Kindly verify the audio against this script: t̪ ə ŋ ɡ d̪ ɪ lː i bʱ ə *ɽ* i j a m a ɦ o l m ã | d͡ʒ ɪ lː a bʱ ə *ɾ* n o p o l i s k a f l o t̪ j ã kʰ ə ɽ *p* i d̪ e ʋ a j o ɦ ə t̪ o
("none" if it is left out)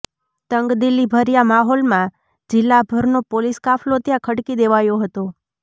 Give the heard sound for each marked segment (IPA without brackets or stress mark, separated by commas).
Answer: ɾ, ɾ, k